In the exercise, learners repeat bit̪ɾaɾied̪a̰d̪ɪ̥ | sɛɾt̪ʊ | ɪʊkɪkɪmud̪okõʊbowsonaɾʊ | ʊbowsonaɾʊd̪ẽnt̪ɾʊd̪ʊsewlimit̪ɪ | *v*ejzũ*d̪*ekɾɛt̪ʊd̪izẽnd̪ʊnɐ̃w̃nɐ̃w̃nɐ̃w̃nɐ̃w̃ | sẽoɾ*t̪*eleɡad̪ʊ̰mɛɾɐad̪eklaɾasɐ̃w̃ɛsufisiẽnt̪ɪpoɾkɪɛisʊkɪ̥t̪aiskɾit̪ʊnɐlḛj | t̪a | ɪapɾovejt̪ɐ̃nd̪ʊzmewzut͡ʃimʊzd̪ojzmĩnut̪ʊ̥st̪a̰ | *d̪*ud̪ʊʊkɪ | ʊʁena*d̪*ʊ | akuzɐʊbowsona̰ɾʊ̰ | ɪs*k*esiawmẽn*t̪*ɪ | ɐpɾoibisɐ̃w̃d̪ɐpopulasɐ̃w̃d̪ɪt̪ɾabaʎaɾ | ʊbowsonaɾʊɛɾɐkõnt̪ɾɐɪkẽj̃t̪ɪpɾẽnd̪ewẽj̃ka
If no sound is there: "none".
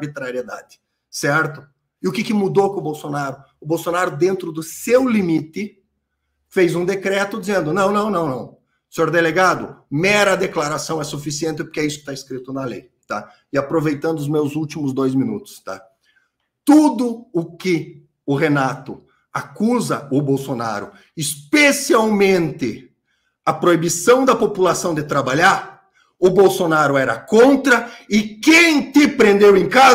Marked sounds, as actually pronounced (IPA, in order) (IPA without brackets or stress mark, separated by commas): f, d̪, d̪, t̪, t̪, p, t̪